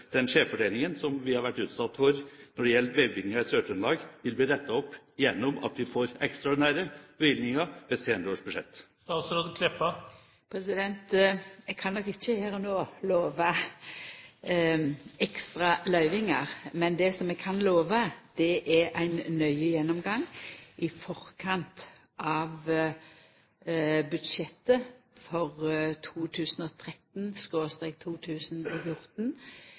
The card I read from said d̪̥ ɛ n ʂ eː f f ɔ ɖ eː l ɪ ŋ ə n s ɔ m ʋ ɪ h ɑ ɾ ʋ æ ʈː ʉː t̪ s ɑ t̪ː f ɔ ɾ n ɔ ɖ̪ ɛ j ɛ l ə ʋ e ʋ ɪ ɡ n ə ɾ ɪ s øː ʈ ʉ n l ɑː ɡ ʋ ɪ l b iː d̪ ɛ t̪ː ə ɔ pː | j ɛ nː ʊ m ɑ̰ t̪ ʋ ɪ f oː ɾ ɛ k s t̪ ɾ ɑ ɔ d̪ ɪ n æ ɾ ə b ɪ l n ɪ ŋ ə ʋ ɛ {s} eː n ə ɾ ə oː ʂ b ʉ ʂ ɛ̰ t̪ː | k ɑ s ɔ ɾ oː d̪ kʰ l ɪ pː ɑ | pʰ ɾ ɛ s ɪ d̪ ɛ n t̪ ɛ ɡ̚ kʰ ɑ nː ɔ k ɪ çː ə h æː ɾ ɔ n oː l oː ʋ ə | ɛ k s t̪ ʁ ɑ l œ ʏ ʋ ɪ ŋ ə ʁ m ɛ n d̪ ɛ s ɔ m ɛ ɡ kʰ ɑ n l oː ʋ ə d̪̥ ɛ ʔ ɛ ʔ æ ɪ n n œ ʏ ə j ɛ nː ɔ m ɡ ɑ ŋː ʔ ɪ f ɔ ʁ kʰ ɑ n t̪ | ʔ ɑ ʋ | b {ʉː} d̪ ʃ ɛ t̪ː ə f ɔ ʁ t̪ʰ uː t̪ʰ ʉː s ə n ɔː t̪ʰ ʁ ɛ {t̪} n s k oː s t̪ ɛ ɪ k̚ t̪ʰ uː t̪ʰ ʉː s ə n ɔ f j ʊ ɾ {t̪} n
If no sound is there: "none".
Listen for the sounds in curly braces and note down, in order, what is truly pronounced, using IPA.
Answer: s, ʉ, t̪, t̪

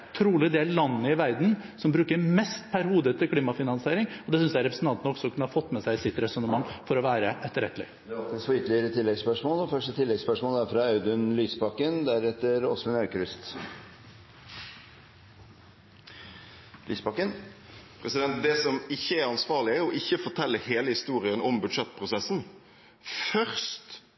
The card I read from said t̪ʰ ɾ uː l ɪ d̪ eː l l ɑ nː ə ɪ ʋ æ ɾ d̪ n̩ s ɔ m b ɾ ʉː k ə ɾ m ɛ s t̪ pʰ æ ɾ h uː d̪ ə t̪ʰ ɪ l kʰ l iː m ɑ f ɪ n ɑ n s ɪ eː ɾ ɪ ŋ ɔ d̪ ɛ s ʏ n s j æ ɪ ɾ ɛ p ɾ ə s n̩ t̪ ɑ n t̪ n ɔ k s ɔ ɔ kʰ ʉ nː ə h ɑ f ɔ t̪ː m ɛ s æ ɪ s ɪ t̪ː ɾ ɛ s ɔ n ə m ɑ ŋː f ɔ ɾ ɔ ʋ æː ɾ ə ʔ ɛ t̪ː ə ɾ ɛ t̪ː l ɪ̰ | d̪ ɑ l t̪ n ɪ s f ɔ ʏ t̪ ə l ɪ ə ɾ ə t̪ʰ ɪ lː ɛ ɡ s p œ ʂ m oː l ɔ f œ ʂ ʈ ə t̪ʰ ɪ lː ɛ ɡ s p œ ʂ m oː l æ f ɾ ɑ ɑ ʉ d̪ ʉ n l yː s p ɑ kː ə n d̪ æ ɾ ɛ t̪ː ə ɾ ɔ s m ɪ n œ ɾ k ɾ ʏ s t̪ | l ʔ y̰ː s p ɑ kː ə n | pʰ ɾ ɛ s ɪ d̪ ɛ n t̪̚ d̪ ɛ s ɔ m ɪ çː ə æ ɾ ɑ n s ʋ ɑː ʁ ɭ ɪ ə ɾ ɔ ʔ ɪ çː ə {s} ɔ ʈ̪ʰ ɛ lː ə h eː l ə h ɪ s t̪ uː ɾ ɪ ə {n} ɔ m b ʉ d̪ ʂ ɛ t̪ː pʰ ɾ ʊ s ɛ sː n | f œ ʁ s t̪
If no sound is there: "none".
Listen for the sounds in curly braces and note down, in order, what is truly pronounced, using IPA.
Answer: f, n

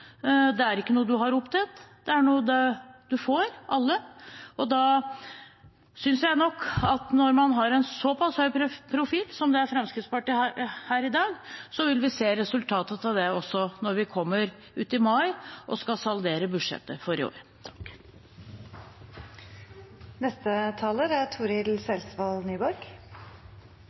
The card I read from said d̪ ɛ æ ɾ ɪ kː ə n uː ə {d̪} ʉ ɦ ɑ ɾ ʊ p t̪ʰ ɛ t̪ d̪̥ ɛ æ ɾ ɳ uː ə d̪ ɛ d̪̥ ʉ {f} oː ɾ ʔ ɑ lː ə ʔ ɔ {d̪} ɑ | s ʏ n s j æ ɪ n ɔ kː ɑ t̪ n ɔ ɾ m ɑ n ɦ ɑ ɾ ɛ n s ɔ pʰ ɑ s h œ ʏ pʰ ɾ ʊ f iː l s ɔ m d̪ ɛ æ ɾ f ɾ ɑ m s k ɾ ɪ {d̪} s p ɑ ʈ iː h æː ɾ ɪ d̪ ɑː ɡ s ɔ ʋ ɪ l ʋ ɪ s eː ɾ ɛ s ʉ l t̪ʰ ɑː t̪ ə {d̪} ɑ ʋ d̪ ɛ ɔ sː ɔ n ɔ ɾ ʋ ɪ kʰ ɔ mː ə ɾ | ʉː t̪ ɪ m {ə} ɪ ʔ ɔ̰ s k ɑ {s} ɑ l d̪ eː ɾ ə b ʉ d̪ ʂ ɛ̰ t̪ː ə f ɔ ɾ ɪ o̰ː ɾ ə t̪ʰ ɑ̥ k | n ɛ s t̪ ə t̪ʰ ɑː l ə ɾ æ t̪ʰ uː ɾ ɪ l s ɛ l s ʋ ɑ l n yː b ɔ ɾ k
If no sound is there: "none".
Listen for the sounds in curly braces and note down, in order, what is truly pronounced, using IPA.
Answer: d̪, f, d̪, t̪, t̪, ɑ, s

